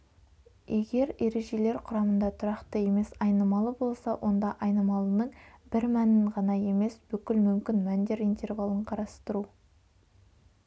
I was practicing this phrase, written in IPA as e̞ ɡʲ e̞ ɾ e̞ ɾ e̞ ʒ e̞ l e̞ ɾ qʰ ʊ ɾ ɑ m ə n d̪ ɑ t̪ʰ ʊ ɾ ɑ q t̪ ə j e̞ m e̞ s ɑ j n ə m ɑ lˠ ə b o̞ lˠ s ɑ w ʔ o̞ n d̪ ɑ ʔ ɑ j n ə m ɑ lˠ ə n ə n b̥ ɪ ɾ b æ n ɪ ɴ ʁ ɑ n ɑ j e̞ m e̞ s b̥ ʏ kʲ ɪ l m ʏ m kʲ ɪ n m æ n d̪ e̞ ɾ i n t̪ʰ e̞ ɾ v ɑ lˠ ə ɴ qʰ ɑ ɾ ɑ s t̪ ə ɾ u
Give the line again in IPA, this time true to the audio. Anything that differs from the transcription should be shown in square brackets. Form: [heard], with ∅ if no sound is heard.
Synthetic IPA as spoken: e̞ ɡʲ e̞ ɾ e̞ ɾ e̞ ʒ e̞ l e̞ ɾ qʰ ʊ ɾ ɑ m ə n d̪ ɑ t̪ʰ ʊ ɾ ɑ q t̪ ə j e̞ m e̞ s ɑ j n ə m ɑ lˠ ə b o̞ lˠ s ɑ w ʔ o̞ n d̪ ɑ ʔ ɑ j n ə m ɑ lˠ ə n ə [ɴ] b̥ ɪ ɾ [m] æ n ɪ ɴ ʁ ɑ n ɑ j e̞ m e̞ s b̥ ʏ kʲ ɪ l m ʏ m kʲ ɪ n m æ n d̪ e̞ ɾ i n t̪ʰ e̞ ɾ v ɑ lˠ ə ɴ qʰ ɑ ɾ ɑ s t̪ ə ɾ u